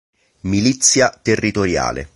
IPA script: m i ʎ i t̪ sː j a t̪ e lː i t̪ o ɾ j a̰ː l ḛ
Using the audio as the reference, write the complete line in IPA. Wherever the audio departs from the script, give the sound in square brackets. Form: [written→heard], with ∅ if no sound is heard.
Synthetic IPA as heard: m i [ʎ→l] i t̪ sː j a t̪ e [lː→rː] i t̪ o ɾ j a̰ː l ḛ